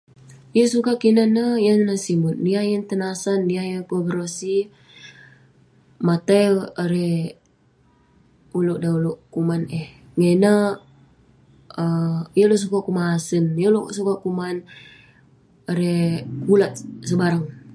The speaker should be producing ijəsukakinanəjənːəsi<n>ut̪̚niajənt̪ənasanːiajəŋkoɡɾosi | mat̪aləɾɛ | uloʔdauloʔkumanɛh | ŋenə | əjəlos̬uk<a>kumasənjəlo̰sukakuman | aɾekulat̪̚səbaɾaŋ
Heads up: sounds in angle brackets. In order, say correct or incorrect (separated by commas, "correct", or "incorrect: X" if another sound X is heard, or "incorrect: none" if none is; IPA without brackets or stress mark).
incorrect: m, correct